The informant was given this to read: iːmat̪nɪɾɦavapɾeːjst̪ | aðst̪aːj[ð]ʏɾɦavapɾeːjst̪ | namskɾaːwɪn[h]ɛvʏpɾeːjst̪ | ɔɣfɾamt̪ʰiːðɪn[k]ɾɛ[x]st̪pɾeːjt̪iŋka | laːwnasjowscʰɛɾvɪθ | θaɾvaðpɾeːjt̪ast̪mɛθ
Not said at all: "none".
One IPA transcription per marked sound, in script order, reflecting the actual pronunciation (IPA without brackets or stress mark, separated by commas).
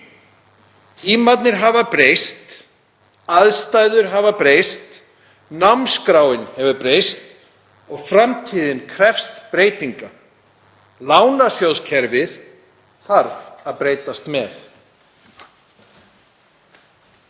ð, h, kʰ, f